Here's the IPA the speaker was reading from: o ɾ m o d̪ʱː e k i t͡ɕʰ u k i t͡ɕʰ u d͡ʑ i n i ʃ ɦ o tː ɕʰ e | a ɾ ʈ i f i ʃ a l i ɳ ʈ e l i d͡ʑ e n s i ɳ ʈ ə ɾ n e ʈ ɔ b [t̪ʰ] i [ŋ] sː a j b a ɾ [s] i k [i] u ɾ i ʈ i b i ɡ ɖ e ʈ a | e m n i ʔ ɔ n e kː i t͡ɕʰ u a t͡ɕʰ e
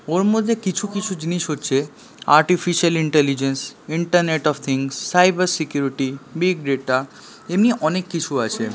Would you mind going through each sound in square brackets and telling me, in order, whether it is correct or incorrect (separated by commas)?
correct, correct, correct, incorrect